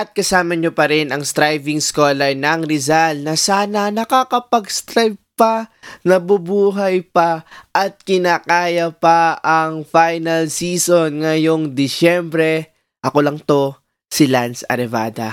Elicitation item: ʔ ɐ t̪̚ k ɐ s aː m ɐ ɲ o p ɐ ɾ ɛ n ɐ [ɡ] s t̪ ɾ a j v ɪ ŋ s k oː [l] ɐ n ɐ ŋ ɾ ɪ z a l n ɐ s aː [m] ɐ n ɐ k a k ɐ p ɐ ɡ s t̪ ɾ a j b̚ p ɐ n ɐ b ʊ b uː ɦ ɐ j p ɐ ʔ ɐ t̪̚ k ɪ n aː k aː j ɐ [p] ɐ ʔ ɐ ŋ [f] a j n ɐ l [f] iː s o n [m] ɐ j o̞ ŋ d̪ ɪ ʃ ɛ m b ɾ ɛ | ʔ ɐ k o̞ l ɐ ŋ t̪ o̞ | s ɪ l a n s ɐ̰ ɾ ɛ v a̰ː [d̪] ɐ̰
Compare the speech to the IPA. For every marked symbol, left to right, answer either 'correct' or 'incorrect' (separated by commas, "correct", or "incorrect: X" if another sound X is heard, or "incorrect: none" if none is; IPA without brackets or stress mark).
incorrect: ŋ, correct, incorrect: n, correct, correct, incorrect: s, incorrect: ŋ, correct